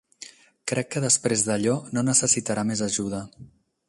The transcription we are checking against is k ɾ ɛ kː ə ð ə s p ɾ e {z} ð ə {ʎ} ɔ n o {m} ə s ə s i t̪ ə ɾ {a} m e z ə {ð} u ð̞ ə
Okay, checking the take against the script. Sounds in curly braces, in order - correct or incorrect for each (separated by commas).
correct, correct, incorrect, correct, incorrect